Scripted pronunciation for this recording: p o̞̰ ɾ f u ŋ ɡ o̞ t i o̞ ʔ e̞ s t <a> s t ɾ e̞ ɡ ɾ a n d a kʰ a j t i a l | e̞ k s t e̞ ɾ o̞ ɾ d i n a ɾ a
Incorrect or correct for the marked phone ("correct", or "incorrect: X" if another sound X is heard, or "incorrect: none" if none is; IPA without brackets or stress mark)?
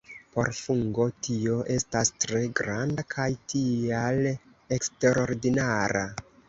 correct